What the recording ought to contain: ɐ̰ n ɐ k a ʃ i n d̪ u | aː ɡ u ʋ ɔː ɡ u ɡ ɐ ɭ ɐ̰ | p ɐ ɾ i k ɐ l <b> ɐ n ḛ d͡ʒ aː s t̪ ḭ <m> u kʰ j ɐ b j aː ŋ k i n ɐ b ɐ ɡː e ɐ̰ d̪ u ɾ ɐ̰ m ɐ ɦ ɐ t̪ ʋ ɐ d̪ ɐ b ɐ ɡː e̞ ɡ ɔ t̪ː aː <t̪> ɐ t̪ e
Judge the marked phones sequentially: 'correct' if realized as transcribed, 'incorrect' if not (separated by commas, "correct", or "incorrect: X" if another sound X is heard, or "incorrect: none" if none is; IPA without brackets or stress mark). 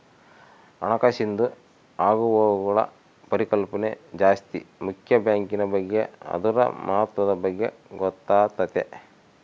incorrect: p, correct, correct